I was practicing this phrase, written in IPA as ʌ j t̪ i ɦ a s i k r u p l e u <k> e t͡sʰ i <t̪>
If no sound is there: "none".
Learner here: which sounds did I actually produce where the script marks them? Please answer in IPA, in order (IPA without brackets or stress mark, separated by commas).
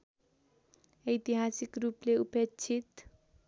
p, t̪